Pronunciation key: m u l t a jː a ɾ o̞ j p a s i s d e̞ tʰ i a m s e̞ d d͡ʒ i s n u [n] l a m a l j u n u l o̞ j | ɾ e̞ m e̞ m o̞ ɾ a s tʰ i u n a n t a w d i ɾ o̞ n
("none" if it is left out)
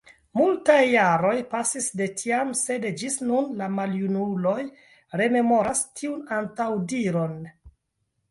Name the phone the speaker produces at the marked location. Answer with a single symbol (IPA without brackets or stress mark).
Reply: n